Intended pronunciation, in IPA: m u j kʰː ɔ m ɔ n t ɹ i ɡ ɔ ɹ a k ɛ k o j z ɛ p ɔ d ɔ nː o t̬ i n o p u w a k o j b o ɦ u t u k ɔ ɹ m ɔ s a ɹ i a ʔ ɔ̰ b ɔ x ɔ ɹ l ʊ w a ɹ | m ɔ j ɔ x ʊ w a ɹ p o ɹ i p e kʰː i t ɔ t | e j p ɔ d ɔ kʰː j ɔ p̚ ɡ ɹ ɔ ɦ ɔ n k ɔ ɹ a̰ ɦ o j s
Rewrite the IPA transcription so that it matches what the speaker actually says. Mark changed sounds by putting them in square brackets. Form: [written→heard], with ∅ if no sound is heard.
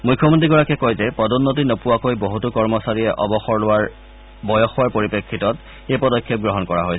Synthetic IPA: m u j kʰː ɔ m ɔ n t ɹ i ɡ ɔ ɹ a k ɛ k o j z ɛ p ɔ d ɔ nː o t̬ i n o p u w a k o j b o ɦ u t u k ɔ ɹ m ɔ s a ɹ i [a→ɛ] ʔ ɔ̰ b ɔ x ɔ ɹ l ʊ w a ɹ | [m→b] ɔ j ɔ x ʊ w a ɹ p o ɹ i p e kʰː i t ɔ t | e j p ɔ d ɔ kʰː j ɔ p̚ ɡ ɹ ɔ ɦ ɔ n k ɔ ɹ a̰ ɦ o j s